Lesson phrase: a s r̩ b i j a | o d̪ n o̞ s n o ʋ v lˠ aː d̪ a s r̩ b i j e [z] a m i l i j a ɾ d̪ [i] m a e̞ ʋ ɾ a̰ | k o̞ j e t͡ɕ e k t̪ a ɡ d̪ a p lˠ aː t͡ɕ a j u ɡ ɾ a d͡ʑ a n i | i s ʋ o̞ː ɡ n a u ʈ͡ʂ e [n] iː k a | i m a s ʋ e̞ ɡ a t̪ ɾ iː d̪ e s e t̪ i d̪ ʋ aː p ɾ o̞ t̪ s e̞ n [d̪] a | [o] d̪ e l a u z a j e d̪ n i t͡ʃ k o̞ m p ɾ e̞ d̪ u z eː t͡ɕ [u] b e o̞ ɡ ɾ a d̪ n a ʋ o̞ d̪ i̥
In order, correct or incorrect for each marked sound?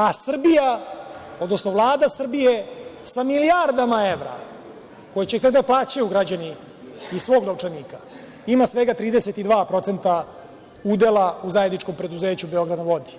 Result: incorrect: s, incorrect: a, correct, incorrect: t̪, incorrect: u, correct

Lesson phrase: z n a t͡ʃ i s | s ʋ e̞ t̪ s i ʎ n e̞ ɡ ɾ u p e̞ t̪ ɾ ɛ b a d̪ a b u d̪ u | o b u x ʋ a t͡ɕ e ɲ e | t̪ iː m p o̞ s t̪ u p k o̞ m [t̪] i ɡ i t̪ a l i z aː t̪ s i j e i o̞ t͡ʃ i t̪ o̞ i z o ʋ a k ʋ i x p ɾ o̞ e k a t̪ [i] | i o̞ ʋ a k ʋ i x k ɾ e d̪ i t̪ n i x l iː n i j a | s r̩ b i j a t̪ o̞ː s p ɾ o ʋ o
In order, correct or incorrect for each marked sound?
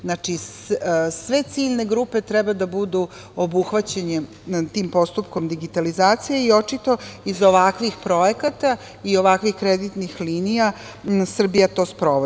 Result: incorrect: d̪, incorrect: a

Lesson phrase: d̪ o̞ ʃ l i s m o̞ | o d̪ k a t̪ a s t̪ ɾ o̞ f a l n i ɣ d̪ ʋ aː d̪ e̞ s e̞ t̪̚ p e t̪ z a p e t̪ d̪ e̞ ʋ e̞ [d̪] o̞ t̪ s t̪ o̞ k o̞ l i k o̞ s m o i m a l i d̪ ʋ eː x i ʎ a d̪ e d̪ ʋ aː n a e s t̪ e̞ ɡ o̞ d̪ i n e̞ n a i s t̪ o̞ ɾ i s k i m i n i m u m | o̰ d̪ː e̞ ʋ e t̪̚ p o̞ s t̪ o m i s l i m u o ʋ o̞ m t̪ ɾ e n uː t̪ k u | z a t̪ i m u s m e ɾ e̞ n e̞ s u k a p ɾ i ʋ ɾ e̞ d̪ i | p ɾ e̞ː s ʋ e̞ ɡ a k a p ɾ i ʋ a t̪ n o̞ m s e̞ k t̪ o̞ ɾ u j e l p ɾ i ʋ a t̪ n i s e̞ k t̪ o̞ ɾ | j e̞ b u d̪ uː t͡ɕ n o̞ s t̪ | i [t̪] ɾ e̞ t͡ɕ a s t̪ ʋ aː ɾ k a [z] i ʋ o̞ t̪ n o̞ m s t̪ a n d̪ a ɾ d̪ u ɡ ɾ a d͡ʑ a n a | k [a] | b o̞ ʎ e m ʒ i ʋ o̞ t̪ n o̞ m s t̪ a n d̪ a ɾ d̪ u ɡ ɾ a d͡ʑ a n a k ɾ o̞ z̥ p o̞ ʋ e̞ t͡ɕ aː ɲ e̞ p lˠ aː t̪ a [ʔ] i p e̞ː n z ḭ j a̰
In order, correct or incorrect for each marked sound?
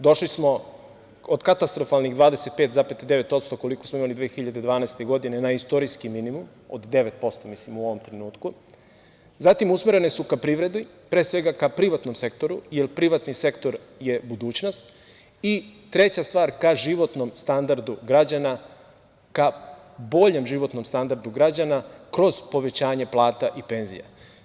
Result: incorrect: t̪, correct, incorrect: ʒ, correct, correct

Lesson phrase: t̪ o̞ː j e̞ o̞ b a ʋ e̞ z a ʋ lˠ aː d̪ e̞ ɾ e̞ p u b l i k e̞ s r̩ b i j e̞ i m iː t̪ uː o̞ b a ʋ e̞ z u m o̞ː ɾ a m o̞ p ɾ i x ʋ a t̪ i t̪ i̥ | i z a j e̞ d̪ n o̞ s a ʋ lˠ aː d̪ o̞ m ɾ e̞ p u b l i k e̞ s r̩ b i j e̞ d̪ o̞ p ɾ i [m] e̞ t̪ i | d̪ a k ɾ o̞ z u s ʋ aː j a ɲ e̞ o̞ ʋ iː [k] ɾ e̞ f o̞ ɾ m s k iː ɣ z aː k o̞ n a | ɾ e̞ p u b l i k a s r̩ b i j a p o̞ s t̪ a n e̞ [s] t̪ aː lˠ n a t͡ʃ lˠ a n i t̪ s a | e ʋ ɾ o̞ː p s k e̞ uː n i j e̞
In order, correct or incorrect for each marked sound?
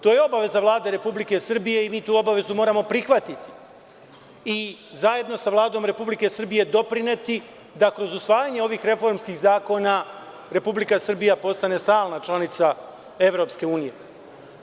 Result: incorrect: n, incorrect: x, correct

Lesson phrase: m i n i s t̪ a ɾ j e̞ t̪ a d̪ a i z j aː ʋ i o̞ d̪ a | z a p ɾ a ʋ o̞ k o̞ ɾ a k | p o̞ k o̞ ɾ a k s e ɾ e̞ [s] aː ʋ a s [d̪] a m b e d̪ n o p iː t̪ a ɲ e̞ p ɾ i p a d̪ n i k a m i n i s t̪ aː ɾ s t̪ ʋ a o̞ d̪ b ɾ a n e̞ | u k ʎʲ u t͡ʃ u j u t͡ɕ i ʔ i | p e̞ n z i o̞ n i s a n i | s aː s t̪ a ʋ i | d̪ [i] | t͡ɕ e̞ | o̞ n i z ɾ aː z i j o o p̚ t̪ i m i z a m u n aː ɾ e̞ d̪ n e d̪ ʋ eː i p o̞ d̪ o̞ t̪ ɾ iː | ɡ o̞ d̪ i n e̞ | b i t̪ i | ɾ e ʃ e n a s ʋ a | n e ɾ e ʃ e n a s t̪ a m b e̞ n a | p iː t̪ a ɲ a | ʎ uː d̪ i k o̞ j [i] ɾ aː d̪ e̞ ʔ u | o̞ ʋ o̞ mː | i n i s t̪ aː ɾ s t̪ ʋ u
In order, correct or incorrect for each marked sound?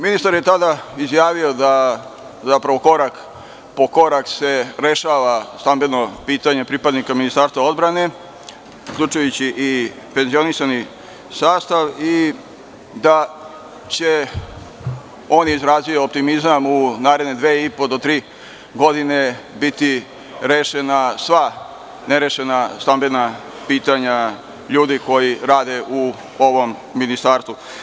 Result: incorrect: ʃ, incorrect: t̪, incorrect: a, correct

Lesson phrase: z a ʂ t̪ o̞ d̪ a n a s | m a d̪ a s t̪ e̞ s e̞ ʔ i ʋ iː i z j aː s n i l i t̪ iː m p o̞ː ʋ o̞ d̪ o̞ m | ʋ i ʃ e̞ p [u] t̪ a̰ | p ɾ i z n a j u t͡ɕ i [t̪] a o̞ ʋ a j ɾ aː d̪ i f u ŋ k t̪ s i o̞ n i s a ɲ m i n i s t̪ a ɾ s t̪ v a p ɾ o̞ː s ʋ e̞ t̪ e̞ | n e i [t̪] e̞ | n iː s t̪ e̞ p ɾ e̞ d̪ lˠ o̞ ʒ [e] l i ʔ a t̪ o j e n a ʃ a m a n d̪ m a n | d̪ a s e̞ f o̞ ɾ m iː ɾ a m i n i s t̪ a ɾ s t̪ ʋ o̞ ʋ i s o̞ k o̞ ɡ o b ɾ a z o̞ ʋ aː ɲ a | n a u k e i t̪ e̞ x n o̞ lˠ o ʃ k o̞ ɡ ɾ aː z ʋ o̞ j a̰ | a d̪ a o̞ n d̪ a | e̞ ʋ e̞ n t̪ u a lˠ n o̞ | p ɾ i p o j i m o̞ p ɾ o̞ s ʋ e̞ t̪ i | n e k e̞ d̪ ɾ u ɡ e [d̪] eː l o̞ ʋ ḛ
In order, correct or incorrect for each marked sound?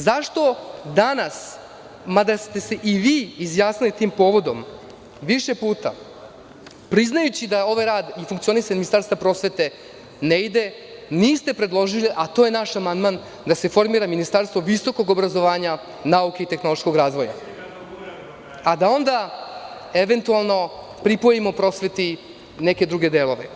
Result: incorrect: uː, incorrect: d̪, incorrect: d̪, incorrect: i, correct

